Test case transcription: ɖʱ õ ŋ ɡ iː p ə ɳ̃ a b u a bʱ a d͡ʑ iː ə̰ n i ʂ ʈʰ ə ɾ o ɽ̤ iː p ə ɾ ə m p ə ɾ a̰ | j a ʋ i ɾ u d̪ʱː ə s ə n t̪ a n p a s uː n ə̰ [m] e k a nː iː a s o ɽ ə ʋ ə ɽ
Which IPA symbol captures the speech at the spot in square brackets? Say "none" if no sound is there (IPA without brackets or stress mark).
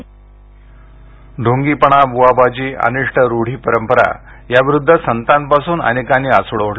n